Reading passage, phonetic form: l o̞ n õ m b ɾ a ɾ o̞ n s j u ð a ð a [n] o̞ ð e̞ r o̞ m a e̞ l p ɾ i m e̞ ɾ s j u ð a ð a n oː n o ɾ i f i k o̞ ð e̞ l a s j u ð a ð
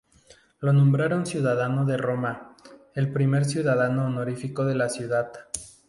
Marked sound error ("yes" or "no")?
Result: no